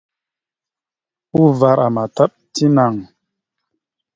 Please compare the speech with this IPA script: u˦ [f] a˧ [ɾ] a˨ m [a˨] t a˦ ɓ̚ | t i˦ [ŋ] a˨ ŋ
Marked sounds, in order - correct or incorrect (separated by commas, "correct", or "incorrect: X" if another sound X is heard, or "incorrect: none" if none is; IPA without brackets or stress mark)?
incorrect: v, correct, correct, incorrect: n